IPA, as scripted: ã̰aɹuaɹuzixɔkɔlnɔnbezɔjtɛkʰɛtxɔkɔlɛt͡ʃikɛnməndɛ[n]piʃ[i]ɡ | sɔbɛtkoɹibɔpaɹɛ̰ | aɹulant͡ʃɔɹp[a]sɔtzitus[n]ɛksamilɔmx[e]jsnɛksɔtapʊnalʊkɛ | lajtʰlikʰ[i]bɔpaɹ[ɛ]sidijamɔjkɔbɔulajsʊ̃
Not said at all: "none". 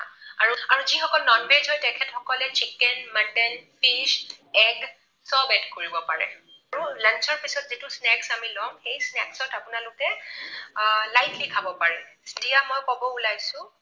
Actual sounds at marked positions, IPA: n, ɛ, i, n, e, a, ɛ

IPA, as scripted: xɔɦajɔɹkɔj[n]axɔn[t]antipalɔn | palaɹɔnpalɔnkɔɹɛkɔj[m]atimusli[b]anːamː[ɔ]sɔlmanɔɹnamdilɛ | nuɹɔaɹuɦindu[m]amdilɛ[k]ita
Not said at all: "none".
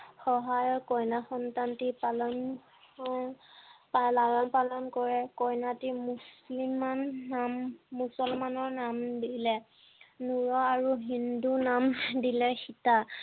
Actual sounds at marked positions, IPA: n, t, n, m, u, n, x

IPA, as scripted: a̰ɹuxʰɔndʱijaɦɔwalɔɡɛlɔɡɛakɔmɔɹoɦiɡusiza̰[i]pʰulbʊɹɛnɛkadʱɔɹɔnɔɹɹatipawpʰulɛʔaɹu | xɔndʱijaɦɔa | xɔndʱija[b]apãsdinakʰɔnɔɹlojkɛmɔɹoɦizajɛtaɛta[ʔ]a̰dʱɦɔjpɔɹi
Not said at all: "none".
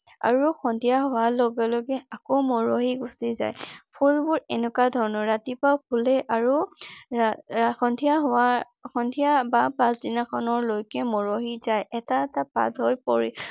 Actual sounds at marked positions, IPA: j, b, p

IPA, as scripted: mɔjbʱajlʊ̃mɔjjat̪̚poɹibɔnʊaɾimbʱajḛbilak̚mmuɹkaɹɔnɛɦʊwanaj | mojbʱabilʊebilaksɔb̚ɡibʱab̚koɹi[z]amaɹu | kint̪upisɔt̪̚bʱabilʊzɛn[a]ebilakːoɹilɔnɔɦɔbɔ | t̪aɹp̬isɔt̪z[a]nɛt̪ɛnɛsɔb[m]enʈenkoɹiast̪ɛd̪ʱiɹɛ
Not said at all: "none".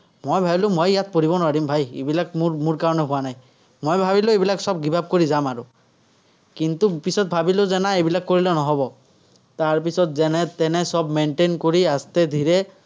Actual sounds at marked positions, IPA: z, a, ɛ, m

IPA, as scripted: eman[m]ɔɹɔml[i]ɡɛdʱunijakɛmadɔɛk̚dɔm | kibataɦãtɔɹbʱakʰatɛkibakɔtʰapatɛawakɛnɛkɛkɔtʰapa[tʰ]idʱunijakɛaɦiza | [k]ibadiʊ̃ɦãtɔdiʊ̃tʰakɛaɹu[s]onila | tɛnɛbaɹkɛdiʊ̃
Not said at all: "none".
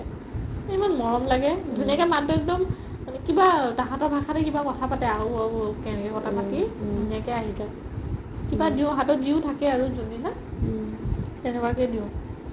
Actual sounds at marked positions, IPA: m, a, t, k, z

